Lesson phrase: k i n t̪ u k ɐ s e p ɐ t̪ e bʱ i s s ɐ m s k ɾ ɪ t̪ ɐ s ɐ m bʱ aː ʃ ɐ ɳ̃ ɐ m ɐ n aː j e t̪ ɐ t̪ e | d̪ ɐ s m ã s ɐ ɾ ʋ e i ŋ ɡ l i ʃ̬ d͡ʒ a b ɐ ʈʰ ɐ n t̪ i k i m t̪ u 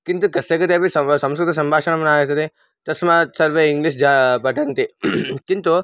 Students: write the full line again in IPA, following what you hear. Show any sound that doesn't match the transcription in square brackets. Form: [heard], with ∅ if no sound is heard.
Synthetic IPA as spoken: k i n t̪ u k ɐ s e [k] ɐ t̪ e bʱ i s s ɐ m s k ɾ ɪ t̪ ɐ s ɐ m bʱ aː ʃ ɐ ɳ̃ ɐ m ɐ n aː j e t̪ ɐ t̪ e | [t̪] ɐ s m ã s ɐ ɾ ʋ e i ŋ ɡ l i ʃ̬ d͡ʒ a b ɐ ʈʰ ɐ n t̪ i k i [n] t̪ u